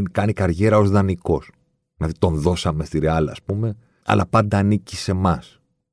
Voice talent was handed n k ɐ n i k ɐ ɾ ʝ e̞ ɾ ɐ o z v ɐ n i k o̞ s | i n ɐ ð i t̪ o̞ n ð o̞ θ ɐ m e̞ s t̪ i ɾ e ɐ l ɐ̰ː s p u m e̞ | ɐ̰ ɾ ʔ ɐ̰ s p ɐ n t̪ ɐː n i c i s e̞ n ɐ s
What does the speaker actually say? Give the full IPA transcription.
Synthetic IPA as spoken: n k ɐ n i k ɐ ɾ ʝ e̞ ɾ ɐ o z ð ɐ n i k o̞ s | i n ɐ ð i t̪ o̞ n ð o̞ s ɐ m e̞ s t̪ i ɾ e ɐ l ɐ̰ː s p u m e̞ | ɐ̰ l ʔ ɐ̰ p ɐ n d̪ ɐː n i c i s e̞ m ɐ s